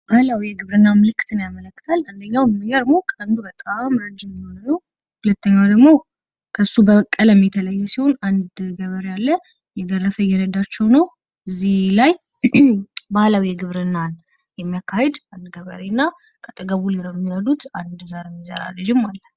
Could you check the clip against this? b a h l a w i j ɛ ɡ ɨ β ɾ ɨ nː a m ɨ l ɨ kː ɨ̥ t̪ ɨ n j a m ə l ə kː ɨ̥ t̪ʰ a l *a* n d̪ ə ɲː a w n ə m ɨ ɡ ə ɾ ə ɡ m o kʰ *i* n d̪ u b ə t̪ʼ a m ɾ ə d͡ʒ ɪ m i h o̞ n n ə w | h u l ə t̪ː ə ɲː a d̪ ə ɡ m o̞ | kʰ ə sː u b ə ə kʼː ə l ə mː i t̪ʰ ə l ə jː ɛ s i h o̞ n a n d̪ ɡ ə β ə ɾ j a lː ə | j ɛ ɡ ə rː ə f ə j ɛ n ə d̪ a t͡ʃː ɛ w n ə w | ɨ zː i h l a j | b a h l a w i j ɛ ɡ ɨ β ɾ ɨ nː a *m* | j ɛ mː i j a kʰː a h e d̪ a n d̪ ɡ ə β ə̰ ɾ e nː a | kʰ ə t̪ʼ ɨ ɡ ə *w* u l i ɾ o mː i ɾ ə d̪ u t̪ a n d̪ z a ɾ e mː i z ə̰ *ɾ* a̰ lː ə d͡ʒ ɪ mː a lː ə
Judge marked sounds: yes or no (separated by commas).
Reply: yes, no, no, no, yes